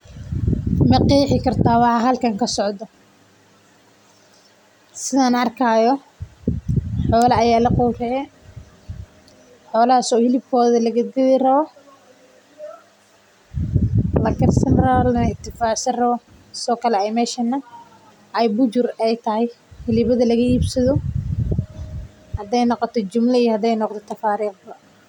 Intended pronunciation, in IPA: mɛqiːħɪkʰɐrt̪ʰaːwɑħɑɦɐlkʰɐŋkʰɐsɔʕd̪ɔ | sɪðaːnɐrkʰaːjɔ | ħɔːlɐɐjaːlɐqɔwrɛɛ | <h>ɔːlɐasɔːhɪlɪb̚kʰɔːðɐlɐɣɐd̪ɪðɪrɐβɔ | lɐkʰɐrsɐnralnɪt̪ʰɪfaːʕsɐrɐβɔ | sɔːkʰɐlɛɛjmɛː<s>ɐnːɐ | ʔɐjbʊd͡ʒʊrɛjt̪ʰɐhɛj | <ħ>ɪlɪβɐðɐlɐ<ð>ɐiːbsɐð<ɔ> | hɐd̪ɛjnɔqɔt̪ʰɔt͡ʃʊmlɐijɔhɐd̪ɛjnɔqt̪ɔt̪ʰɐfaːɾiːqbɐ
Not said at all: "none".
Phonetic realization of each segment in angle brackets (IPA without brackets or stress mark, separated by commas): ħ, ʃ, h, ɣ, ɔ